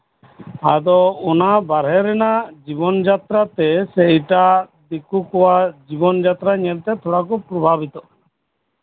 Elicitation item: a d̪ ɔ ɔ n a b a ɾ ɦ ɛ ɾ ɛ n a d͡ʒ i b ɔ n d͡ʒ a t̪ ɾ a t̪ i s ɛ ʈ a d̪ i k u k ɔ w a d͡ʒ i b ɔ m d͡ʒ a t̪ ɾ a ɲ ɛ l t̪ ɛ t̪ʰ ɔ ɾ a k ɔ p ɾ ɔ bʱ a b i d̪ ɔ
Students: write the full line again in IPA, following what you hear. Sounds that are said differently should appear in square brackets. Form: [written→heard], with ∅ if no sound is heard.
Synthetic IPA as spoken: a d̪ ɔ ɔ n a b a ɾ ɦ ɛ ɾ ɛ n a d͡ʒ i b ɔ n d͡ʒ a t̪ ɾ a t̪ [i→ɛ] s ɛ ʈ a d̪ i k u k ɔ w a d͡ʒ i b ɔ [m→n] d͡ʒ a t̪ ɾ a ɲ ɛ l t̪ ɛ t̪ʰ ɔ [ɾ→ɽ] a k ɔ p ɾ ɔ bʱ a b i [d̪→t̪] ɔ